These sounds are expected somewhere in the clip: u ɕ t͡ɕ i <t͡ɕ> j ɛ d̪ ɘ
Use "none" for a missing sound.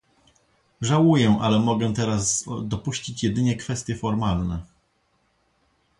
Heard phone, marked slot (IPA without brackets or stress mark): t͡ɕ